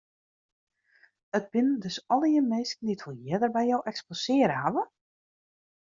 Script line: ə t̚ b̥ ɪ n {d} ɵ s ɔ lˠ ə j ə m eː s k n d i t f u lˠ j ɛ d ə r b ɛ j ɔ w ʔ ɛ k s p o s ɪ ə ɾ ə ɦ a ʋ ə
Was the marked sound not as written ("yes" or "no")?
no